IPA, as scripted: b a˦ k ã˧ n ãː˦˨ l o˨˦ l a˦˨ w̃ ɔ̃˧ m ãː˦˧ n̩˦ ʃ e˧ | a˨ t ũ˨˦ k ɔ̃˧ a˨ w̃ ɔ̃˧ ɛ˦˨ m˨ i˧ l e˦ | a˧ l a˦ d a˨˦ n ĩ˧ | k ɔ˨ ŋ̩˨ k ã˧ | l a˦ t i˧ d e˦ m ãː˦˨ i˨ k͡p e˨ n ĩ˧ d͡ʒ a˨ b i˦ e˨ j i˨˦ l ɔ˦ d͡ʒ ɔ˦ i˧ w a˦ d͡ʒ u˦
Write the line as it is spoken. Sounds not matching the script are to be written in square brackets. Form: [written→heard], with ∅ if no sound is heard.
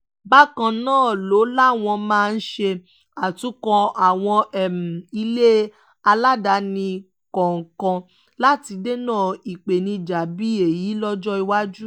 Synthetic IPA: b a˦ k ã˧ n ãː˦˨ l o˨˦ l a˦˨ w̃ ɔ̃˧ m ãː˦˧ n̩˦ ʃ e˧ | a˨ t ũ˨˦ k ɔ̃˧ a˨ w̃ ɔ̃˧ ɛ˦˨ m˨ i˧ l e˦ | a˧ l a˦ d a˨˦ n ĩ˧ | k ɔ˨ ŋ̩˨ k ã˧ | l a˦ t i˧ d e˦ [m→n] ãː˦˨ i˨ k͡p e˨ n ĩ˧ d͡ʒ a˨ b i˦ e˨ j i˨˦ l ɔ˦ d͡ʒ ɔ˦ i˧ w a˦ d͡ʒ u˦